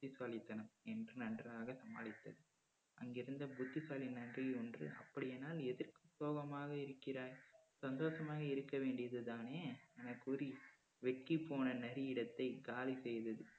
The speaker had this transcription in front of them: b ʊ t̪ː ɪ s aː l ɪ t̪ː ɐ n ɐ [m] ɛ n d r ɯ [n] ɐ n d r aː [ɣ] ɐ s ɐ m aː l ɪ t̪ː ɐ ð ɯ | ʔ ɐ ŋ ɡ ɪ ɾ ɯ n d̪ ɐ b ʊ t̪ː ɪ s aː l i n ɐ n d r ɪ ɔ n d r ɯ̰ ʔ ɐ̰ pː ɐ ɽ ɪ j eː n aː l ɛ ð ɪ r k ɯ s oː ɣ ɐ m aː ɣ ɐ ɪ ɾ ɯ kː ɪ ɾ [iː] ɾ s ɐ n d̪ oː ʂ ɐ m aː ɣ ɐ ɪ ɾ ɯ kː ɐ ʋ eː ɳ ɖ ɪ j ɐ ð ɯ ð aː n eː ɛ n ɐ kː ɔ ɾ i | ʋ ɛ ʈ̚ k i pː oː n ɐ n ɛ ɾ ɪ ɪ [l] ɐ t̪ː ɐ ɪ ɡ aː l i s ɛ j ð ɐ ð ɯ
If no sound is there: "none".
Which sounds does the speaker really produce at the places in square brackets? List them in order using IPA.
m, n, ɣ, aː, ɽ

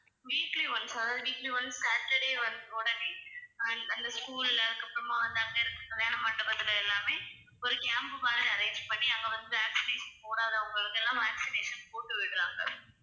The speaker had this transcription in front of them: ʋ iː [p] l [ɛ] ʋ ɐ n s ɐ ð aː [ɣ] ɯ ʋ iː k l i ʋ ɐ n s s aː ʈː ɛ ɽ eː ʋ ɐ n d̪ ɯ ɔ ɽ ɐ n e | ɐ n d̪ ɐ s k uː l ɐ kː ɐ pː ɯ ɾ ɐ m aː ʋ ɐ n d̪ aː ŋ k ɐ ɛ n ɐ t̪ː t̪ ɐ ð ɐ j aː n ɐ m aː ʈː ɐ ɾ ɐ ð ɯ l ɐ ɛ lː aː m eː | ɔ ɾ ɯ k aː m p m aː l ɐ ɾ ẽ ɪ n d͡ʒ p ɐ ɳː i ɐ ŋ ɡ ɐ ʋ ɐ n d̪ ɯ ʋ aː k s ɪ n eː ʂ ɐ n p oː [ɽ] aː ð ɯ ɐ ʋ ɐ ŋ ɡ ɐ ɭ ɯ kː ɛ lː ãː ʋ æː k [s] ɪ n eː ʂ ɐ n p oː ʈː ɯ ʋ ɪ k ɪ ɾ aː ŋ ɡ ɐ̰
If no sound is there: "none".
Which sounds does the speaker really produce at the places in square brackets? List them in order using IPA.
k, i, ð, ɽ, s

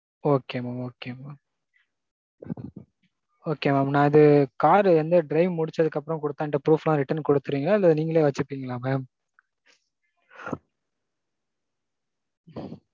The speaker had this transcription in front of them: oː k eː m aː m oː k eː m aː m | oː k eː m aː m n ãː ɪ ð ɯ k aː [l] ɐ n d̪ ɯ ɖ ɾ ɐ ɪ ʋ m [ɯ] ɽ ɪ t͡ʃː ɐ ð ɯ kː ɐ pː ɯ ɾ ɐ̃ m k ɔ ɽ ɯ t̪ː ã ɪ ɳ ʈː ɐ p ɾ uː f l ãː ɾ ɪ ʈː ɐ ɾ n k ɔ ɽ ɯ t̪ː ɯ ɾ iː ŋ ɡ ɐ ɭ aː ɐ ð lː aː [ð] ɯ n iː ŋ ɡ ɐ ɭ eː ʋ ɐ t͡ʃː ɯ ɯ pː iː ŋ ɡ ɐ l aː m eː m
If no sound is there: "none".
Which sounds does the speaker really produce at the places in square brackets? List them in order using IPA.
ɾ, ʊ, ð

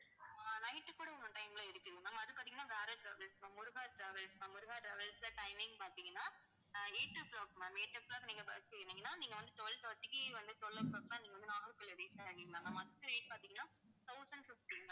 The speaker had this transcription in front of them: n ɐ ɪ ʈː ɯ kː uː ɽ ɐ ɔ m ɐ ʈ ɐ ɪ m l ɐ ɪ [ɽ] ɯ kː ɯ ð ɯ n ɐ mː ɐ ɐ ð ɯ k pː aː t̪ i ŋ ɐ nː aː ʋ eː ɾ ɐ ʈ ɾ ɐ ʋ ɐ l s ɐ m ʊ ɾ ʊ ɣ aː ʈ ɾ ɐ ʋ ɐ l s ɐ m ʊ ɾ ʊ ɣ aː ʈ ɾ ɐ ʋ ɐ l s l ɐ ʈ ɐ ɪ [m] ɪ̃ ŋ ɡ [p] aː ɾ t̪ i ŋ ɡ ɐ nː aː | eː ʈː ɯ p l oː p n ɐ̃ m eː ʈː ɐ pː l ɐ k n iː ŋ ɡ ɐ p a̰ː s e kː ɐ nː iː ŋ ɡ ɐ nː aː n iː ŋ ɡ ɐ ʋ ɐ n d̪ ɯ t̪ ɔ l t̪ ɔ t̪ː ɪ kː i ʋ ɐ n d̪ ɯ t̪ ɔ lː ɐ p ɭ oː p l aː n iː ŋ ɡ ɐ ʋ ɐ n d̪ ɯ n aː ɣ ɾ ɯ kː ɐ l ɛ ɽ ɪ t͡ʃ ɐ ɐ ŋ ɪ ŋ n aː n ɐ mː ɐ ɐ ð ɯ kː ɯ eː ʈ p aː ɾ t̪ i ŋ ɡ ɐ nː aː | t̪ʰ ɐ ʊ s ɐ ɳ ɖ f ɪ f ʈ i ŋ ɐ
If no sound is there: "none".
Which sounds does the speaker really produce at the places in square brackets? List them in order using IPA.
ɾ, m, p

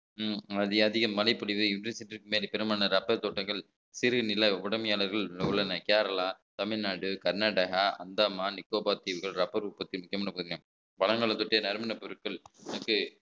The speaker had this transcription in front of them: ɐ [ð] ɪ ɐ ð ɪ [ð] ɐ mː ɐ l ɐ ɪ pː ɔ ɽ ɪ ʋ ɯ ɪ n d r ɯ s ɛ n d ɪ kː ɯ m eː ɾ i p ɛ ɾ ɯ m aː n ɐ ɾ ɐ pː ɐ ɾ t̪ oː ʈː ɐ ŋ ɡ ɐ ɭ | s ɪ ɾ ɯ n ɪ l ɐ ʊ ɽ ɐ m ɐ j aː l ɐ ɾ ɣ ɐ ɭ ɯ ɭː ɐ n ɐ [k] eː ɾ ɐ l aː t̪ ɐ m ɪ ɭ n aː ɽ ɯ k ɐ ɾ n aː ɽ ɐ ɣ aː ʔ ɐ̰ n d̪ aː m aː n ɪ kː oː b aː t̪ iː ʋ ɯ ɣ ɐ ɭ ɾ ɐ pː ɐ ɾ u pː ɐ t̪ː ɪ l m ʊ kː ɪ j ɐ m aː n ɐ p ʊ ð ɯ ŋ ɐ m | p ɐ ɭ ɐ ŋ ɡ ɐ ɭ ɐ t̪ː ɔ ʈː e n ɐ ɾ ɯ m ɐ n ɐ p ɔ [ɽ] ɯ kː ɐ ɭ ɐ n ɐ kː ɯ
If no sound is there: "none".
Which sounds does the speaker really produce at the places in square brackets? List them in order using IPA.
ð, ɣ, k, ɾ

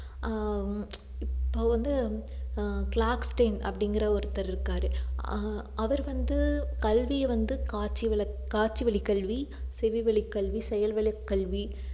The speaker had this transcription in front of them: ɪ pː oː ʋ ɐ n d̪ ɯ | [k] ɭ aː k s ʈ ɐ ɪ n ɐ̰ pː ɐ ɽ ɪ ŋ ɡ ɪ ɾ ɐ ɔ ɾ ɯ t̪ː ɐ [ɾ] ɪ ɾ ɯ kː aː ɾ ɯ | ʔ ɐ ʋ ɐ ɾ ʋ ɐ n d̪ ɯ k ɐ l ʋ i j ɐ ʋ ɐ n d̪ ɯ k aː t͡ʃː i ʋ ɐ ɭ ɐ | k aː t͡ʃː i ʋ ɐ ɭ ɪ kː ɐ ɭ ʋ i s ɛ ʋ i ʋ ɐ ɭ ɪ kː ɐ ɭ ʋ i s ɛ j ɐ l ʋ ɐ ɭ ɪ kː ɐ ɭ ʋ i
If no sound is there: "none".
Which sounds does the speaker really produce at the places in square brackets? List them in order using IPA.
k, ɾ

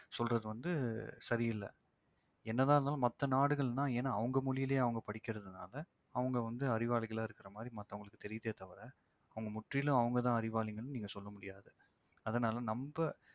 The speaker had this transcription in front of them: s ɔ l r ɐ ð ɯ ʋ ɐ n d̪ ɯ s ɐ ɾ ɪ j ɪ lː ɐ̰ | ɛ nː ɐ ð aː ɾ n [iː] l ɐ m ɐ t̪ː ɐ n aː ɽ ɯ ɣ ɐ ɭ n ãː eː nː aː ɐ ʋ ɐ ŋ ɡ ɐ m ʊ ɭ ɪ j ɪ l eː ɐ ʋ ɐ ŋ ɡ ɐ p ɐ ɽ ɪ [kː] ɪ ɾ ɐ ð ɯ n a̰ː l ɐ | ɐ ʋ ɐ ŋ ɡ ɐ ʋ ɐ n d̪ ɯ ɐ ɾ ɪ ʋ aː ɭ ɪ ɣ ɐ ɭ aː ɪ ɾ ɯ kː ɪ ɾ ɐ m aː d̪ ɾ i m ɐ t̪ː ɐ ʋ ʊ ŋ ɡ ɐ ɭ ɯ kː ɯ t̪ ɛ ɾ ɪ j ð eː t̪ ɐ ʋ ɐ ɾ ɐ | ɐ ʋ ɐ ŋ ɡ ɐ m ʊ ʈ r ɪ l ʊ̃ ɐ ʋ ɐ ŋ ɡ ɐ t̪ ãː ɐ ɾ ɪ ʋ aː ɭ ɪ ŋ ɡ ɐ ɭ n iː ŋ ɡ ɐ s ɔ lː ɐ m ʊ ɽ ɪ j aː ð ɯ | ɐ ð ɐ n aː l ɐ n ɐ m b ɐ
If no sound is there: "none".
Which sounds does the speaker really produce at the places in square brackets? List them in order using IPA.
aː, kː

